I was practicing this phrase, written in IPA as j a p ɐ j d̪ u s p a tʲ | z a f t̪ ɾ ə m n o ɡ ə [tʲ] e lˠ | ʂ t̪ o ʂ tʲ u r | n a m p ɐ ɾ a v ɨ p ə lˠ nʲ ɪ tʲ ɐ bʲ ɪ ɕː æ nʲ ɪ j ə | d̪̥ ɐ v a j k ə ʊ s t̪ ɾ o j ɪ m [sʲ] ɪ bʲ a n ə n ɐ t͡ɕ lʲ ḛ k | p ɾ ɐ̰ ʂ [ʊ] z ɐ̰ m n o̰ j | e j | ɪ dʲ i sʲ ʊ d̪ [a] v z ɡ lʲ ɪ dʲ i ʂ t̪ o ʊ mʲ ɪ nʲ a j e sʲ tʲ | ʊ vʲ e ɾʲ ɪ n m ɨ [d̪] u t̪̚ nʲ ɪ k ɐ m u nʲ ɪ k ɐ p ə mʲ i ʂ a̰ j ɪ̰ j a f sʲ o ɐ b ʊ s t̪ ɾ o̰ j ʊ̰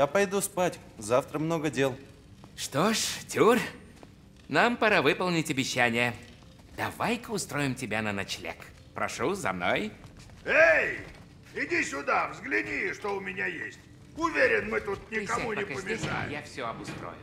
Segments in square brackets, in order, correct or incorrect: incorrect: dʲ, incorrect: tʲ, incorrect: u, correct, incorrect: t̪

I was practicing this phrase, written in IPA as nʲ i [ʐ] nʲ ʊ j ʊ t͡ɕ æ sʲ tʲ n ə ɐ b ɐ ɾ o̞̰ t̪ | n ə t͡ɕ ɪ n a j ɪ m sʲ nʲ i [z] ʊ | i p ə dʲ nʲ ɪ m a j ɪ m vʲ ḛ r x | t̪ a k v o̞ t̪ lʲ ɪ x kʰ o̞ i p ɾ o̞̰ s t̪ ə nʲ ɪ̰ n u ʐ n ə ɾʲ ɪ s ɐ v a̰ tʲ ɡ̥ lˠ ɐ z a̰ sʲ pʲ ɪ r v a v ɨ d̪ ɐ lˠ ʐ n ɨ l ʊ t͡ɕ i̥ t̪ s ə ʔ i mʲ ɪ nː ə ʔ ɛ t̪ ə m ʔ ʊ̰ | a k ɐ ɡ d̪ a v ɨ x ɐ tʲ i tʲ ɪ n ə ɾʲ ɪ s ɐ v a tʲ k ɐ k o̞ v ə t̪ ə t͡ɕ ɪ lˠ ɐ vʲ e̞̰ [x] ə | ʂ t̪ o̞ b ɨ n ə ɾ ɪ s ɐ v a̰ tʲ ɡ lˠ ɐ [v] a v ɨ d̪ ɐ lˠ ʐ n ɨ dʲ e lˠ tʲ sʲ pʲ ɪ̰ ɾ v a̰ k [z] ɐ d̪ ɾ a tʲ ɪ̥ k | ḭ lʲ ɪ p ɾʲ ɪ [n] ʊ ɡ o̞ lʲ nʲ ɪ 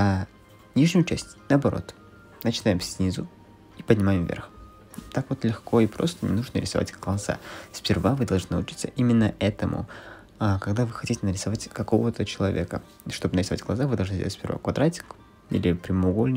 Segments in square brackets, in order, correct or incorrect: correct, correct, incorrect: k, incorrect: z, incorrect: v, incorrect: m

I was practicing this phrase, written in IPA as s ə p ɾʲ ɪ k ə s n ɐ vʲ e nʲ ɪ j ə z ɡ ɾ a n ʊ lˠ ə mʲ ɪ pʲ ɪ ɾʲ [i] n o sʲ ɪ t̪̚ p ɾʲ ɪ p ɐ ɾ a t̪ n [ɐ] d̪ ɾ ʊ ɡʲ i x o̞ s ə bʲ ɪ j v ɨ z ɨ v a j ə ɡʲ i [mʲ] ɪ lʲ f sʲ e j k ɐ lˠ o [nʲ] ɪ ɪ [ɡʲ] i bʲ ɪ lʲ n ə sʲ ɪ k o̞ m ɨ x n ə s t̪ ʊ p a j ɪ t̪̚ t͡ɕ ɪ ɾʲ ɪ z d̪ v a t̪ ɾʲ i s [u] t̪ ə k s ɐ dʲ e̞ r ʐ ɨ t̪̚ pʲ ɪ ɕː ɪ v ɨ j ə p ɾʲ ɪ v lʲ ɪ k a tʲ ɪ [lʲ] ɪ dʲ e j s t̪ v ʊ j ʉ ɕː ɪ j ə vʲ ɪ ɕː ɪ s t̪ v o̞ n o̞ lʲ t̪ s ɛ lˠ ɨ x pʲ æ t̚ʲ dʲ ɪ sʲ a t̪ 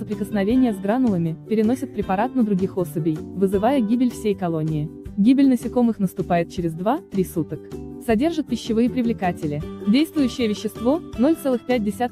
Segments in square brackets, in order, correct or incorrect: incorrect: ɪ, incorrect: ə, incorrect: bʲ, correct, correct, correct, correct

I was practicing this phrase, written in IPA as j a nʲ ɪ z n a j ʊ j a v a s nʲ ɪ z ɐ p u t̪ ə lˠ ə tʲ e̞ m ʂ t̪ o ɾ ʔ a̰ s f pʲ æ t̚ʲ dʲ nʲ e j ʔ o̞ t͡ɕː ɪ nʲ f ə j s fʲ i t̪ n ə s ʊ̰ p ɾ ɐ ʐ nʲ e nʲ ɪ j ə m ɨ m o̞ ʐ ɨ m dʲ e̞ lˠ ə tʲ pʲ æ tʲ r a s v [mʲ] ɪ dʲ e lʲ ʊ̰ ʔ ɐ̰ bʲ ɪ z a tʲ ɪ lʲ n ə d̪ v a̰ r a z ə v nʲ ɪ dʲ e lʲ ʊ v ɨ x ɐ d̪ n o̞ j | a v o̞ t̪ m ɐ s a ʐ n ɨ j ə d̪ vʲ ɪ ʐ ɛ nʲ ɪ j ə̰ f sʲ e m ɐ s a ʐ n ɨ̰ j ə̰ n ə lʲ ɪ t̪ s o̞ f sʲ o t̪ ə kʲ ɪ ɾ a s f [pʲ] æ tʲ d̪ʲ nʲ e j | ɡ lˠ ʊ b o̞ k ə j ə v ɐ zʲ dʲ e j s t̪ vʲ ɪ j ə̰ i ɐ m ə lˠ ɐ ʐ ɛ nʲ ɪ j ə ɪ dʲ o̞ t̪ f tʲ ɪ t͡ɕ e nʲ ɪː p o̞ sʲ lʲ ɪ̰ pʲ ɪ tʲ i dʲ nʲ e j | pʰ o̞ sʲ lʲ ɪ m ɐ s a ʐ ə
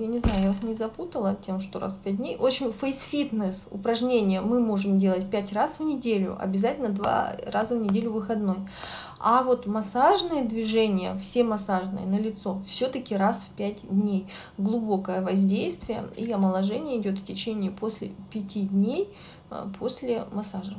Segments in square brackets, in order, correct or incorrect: incorrect: nʲ, correct

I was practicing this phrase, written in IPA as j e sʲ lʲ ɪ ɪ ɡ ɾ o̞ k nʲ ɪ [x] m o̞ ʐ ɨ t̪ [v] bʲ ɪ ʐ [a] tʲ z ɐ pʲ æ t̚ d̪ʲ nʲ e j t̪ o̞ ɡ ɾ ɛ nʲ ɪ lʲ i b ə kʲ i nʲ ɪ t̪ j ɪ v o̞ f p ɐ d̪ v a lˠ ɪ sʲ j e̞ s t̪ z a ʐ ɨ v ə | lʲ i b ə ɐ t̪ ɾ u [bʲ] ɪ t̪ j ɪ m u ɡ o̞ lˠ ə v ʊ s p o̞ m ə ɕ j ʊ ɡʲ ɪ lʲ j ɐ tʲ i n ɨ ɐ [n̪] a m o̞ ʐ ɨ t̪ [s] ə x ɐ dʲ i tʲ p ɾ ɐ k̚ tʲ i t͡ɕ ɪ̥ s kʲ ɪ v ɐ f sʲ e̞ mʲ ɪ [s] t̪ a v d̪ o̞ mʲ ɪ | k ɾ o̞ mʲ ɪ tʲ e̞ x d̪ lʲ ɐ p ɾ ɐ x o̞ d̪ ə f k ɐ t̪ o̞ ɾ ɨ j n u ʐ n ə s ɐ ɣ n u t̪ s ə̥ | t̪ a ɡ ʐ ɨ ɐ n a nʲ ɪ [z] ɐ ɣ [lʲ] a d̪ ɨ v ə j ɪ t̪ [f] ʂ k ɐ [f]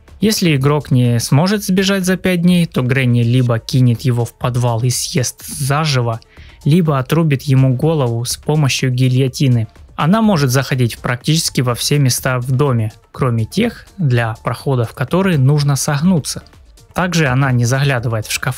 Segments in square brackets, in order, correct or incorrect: incorrect: s, incorrect: z, correct, correct, correct, incorrect: z, correct, correct, correct, correct, correct

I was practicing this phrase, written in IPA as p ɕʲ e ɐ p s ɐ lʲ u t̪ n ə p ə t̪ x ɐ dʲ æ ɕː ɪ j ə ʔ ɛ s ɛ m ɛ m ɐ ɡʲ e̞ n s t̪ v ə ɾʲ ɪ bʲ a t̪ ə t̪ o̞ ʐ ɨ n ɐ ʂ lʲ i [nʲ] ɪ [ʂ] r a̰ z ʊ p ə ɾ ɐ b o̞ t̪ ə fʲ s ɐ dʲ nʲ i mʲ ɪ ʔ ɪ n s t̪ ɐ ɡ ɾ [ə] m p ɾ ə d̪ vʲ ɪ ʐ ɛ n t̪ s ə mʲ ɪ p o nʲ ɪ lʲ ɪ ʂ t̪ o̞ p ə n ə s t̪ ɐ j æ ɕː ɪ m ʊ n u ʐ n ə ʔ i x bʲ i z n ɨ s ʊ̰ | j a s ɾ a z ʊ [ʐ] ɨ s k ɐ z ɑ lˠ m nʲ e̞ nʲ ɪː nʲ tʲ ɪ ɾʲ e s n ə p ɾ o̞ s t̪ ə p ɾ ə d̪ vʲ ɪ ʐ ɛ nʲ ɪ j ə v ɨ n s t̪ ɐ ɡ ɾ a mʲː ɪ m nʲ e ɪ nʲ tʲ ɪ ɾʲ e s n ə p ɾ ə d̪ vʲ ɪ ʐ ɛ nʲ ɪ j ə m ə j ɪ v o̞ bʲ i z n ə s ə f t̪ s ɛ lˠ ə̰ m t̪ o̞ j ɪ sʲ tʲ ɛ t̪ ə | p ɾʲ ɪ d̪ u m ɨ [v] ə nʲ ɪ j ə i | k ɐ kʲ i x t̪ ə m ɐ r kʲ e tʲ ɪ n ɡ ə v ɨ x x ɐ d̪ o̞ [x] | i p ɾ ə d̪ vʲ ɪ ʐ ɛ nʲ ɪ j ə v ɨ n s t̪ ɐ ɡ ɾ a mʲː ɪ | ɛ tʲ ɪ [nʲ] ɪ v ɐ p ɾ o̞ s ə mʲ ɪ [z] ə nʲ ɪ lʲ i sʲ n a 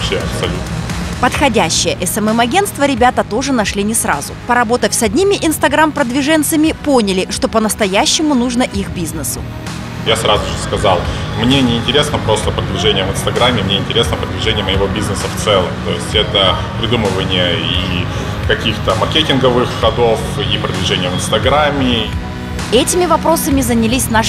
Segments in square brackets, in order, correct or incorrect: correct, incorrect: s, incorrect: a, correct, correct, incorrect: f, incorrect: mʲ, correct

